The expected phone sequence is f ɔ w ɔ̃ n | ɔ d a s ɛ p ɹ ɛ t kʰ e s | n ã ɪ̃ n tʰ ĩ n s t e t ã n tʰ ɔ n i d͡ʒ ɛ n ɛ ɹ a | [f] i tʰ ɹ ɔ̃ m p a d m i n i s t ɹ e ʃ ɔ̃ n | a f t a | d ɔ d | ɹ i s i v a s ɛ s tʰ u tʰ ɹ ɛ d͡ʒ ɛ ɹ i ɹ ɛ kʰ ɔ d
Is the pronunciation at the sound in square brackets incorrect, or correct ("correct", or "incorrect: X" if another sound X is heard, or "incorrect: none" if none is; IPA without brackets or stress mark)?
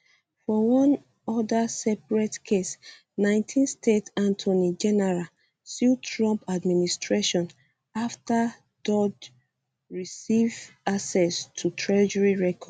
incorrect: s